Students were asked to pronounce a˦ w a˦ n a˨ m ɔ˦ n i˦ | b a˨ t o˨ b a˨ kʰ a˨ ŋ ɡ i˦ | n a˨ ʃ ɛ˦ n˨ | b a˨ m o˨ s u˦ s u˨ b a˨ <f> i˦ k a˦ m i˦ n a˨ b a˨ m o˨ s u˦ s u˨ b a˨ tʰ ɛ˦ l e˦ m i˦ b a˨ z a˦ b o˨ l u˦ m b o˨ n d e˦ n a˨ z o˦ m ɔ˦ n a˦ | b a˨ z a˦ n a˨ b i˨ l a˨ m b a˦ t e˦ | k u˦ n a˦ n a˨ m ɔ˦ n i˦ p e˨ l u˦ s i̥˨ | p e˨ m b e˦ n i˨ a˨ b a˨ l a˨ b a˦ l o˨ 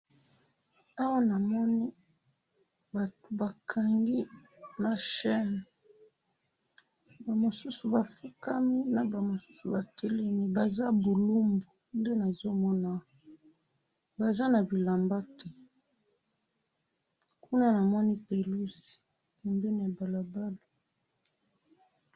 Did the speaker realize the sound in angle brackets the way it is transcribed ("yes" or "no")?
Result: yes